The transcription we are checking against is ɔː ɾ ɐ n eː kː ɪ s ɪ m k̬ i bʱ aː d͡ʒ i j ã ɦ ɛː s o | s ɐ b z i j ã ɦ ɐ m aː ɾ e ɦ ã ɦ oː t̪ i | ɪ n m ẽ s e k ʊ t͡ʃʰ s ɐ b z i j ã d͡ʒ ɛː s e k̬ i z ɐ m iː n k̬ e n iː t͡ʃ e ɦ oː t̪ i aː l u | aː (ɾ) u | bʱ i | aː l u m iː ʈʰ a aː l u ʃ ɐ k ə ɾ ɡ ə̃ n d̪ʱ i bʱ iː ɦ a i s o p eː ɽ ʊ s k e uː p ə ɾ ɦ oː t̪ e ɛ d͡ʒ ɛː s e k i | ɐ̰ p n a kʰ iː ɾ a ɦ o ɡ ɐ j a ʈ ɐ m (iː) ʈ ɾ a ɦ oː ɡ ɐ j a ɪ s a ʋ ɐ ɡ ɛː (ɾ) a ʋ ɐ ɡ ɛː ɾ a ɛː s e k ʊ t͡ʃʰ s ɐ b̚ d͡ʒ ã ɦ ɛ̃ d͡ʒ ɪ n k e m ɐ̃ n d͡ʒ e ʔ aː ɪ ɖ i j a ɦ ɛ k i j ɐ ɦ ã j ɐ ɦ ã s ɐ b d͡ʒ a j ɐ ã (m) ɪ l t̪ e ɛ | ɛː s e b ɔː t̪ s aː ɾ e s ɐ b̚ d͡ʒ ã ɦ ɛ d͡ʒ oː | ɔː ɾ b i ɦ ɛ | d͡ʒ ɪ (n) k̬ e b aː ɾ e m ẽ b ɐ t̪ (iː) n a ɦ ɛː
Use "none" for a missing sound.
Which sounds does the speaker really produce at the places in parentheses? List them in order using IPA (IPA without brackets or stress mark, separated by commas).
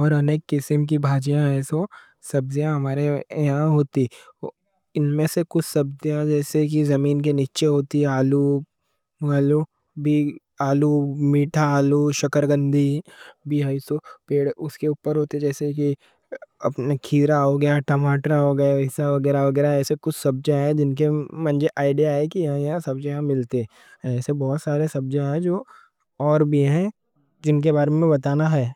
l, aː, ɾ, m, n, aː